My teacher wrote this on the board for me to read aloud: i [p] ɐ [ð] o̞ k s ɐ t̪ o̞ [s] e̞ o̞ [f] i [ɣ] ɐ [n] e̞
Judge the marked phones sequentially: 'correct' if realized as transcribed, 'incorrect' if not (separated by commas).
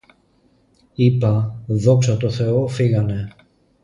correct, correct, incorrect, correct, correct, correct